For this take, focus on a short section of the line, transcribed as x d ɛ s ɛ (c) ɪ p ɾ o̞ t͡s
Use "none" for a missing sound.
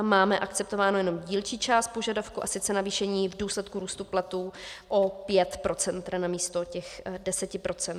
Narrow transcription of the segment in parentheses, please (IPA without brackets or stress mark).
c